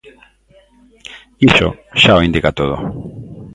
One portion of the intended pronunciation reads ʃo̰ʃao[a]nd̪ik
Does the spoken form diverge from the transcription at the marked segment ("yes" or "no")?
yes